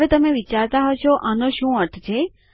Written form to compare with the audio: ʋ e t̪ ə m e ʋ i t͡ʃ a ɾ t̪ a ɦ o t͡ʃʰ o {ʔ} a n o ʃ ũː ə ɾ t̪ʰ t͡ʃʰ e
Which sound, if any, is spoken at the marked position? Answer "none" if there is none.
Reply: ʔ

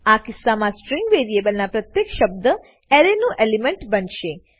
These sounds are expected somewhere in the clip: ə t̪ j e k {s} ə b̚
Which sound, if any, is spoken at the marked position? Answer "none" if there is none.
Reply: ʃ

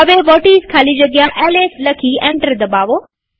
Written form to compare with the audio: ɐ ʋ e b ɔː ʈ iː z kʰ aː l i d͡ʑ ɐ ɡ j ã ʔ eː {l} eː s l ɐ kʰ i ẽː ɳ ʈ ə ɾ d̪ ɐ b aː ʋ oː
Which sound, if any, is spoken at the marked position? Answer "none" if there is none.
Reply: l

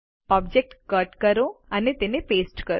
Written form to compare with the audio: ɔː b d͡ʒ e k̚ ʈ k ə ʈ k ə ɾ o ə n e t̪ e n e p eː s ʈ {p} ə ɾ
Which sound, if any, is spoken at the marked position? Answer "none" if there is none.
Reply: k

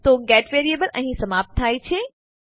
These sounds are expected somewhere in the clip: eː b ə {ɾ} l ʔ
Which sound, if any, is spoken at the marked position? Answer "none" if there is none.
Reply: none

